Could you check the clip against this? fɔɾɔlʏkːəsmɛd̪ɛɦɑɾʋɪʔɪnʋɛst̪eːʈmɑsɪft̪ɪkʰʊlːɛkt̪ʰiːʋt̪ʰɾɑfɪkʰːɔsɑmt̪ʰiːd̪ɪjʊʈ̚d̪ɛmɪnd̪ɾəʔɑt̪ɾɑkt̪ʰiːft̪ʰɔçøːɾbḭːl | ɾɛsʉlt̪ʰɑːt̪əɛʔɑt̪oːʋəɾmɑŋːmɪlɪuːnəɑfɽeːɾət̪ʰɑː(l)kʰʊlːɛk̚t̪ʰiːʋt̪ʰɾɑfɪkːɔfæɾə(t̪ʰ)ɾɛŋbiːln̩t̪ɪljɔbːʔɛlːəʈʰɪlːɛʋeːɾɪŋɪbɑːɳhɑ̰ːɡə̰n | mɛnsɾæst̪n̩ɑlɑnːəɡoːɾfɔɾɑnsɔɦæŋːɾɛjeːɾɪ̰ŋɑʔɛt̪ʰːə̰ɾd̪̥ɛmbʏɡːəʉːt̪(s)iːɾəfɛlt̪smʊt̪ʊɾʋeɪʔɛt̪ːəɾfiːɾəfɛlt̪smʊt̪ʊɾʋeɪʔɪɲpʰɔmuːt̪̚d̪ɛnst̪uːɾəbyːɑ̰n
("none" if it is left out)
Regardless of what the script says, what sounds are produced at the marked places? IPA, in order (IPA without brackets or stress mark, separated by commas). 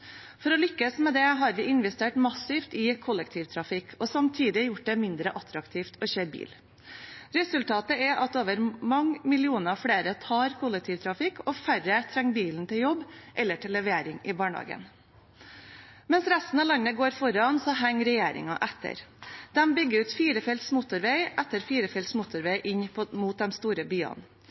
ɾ, t̪ʰ, f